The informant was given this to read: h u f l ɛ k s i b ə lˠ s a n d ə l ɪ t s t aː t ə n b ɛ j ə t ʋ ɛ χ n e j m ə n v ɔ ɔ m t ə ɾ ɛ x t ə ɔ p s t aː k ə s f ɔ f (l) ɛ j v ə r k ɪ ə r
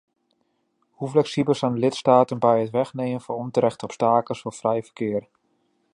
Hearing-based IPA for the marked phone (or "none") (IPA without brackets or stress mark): r